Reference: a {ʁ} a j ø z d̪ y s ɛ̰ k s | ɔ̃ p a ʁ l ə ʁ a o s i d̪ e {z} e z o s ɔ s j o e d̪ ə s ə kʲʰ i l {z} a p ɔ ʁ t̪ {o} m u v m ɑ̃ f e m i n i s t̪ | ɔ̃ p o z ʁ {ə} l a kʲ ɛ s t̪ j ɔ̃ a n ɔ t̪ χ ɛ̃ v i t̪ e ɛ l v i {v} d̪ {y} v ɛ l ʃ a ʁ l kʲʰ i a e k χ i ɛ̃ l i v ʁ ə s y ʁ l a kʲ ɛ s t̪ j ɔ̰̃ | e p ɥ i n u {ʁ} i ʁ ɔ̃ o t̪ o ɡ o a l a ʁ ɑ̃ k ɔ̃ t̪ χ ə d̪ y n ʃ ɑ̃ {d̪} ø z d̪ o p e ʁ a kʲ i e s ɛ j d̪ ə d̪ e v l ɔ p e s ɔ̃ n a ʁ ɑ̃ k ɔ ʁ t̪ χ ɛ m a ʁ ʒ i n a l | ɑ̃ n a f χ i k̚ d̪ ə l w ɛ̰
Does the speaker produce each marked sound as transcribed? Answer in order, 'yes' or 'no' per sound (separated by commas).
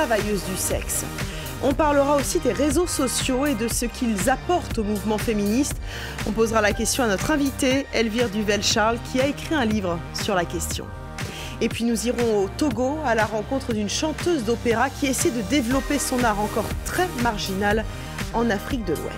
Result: no, no, yes, yes, no, no, yes, no, no